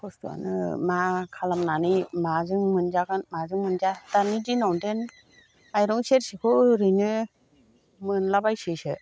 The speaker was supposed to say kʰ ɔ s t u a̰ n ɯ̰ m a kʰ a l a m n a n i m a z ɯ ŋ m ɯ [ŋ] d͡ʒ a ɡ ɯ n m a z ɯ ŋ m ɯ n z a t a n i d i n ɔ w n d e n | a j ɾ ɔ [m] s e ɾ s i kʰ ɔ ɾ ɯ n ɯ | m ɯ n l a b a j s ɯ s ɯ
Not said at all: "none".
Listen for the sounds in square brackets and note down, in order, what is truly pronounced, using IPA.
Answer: n, ŋ

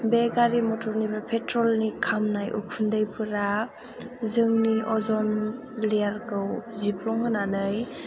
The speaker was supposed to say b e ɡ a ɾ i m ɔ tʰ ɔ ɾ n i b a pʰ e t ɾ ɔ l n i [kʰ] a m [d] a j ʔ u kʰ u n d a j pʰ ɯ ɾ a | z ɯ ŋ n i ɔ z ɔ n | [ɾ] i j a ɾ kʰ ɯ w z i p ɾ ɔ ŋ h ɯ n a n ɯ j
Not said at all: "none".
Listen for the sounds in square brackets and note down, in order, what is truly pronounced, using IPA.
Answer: kʰ, n, l

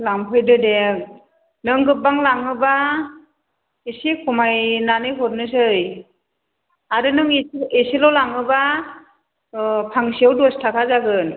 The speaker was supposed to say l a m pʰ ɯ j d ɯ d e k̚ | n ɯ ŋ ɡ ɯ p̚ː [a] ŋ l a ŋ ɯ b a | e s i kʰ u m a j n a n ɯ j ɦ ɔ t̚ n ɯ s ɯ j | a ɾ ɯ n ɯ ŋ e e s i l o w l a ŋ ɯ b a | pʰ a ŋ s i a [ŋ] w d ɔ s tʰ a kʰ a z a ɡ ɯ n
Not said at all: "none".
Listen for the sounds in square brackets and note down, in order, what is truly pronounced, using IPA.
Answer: a, none

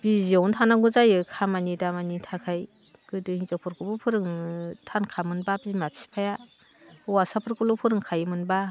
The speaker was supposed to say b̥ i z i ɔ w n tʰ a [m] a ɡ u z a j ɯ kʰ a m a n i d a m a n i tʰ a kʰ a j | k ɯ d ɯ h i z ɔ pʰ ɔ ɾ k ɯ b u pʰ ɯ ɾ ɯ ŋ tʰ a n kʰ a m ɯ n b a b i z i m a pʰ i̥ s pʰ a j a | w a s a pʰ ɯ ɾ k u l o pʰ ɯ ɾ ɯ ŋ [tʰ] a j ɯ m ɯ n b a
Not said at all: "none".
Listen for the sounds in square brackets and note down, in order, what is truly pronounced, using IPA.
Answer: n, kʰ

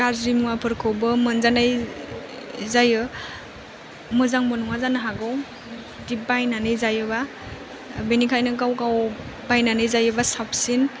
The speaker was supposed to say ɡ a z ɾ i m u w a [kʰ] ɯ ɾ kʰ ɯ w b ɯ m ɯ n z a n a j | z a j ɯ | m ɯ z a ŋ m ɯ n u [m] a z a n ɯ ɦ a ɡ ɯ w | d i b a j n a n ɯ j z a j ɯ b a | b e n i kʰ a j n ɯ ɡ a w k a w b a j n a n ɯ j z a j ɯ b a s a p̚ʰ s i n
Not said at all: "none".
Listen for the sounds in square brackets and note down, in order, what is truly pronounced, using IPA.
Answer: pʰ, ŋ

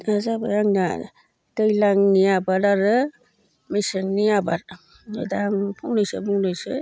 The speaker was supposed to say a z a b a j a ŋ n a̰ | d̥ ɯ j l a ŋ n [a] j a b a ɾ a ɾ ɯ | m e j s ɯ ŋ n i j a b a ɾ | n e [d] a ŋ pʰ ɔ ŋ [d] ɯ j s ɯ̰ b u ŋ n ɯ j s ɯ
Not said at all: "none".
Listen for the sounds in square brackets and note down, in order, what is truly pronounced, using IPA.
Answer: i, d, n

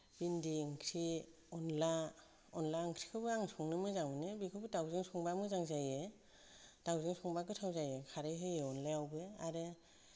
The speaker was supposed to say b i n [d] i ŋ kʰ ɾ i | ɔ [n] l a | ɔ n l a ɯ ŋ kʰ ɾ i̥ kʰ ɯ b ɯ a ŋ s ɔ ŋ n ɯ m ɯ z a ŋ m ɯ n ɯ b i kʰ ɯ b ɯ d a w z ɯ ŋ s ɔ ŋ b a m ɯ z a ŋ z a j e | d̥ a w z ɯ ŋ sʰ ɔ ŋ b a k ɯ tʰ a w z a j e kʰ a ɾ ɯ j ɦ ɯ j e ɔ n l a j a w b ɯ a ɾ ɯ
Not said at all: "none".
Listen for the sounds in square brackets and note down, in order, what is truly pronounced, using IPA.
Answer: d, n

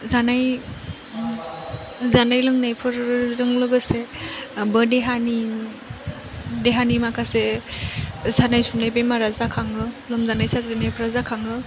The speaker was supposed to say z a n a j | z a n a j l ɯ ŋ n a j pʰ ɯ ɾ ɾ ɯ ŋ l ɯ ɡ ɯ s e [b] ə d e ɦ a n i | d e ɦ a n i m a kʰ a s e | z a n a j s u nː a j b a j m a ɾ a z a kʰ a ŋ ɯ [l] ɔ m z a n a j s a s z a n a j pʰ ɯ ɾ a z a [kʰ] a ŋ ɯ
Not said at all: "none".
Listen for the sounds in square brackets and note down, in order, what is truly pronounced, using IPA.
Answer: b, l, kʰ

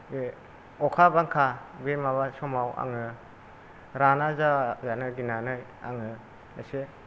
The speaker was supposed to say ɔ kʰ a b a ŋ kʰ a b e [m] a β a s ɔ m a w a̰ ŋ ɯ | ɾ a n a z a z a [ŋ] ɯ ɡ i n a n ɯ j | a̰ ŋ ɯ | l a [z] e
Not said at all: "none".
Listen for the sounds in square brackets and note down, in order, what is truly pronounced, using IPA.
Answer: m, n, s

